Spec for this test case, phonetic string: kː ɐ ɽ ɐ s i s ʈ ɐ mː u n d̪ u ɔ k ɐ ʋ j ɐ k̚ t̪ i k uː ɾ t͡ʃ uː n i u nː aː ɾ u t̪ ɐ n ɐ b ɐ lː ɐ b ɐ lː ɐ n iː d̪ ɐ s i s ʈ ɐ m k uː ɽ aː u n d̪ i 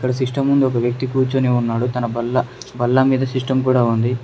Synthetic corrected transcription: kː ɐ ɽ ɐ s i ʂ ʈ ɐ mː u n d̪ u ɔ k ɐ ʋ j ɐ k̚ t̪ i k uː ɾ t͡ʃ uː n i u nː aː ɽ u t̪ ɐ n ɐ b ɐ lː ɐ b ɐ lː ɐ m iː d̪ ɐ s i ʂ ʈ ɐ m k uː ɽ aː u n d̪ i

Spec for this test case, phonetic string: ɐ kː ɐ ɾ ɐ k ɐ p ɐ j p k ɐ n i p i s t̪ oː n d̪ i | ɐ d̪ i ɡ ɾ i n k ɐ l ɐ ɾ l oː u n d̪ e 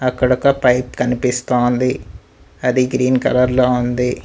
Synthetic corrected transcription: ɐ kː ɐ ɽ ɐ k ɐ p ɐ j p k ɐ n i p i s t̪ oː n d̪ i | ɐ d̪ i ɡ ɾ iː n k ɐ l ɐ ɾ l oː u n d̪ i

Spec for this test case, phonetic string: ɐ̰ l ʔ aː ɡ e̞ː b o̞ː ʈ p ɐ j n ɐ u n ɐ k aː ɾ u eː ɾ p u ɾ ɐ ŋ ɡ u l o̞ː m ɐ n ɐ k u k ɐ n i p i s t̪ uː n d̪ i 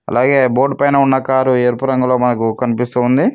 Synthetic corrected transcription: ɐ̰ l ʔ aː ɡ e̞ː b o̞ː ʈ p ɐ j n ɐ u nː ɐ k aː ɾ u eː ɾ p u ɾ ɐ ŋ ɡ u l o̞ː m ɐ n ɐ k u k ɐ n i p i s t̪ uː n d̪ i

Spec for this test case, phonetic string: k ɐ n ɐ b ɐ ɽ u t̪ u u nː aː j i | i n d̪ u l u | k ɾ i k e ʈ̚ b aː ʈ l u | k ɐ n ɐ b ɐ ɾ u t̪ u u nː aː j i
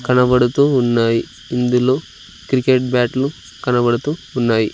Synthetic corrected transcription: k ɐ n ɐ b ɐ ɽ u t̪ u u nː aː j i | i n d̪ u l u | k ɾ i k e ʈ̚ b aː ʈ l u | k ɐ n ɐ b ɐ ɽ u t̪ u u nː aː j i

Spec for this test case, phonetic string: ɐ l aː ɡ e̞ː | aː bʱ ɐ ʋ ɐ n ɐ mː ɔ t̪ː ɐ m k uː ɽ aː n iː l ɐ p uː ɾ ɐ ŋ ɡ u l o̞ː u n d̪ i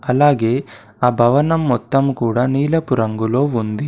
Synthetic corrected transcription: ɐ l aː ɡ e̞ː | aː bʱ ɐ ʋ ɐ n ɐ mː ɔ t̪ː ɐ m k uː ɽ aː n iː l ɐ p u ɾ ɐ ŋ ɡ u l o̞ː u n d̪ i

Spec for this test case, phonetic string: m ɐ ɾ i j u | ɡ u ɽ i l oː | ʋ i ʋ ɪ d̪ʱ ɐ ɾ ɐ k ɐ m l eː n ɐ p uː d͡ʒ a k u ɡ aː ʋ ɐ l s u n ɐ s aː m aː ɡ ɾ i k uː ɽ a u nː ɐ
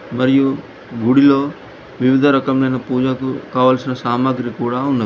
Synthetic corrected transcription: m ɐ ɾ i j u | ɡ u ɽ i l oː | ʋ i ʋ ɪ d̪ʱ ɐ ɾ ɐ k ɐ m l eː n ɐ p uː d͡ʒ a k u k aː ʋ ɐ l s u n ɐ s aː m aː ɡ ɾ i k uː ɽ a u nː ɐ

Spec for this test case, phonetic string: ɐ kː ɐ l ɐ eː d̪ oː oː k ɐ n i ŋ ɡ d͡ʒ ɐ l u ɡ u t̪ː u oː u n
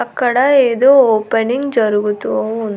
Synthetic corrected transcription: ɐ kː ɐ ɽ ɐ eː d̪ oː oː p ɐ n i ŋ ɡ d͡ʒ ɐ ɾ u ɡ u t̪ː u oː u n

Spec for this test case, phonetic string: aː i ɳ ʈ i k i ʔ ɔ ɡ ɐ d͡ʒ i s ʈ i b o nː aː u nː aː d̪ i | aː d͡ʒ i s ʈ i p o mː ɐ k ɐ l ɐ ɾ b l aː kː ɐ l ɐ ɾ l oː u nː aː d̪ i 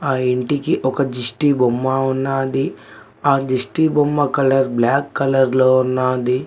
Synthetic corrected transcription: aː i ɳ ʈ i k i ʔ ɔ k ɐ d͡ʒ i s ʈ i b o mː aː u nː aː d̪ i | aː d͡ʒ i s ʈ i b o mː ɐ k ɐ l ɐ ɾ b l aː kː ɐ l ɐ ɾ l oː u nː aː d̪ i

